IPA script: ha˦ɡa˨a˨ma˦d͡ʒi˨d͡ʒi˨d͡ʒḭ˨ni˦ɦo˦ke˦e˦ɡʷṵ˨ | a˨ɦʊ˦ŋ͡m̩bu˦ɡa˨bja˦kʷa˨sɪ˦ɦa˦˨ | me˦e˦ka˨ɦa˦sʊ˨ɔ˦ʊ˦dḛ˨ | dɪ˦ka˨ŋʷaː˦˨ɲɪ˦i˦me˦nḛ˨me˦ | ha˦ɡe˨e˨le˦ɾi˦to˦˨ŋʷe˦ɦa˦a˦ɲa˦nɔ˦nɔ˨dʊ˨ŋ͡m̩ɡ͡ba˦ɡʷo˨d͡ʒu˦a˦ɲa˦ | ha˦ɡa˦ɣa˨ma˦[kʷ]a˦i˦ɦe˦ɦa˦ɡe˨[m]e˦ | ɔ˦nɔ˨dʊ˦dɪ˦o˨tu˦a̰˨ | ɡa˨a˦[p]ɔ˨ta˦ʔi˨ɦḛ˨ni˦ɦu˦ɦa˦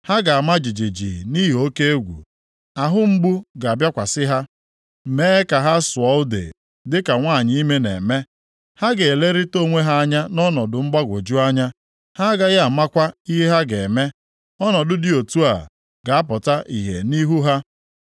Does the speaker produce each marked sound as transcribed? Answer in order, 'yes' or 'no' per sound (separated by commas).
yes, yes, yes